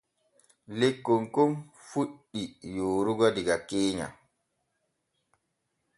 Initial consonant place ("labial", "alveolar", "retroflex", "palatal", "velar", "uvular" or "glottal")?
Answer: alveolar